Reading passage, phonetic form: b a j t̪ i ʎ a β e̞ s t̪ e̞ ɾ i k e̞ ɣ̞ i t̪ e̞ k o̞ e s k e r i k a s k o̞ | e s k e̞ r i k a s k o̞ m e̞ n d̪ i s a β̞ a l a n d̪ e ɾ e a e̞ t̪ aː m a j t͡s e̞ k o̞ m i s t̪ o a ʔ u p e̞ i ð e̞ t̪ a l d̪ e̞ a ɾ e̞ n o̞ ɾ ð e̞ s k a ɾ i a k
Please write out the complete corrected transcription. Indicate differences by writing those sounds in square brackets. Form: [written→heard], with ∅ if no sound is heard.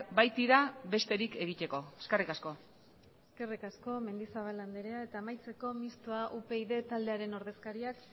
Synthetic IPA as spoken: b a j t̪ i [ʎ→ɾ] a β e̞ s t̪ e̞ ɾ i k e̞ ɣ̞ i t̪ e̞ k o̞ e s k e r i k a s k o̞ | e s k e̞ r i k a s k o̞ m e̞ n d̪ i s a β̞ a l a n d̪ e ɾ e a e̞ t̪ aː m a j t͡s e̞ k o̞ m i s t̪ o a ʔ u p e̞ i ð e̞ t̪ a l d̪ e̞ a ɾ e̞ n o̞ ɾ ð e̞ s k a ɾ i a k